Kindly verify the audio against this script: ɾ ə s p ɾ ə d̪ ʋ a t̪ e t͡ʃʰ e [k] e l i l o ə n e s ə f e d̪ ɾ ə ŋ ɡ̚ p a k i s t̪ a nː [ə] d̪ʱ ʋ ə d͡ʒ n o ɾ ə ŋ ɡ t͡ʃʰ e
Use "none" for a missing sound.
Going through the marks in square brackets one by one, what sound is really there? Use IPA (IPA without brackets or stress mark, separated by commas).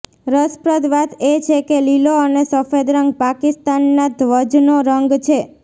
k, a